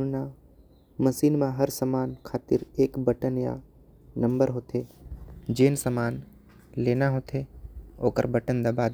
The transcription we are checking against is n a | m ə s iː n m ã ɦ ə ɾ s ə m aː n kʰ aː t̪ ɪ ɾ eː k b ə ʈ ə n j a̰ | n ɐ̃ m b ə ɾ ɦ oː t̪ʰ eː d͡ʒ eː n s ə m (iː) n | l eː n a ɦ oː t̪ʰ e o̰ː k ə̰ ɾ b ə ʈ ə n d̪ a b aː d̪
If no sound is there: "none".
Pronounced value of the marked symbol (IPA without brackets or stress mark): aː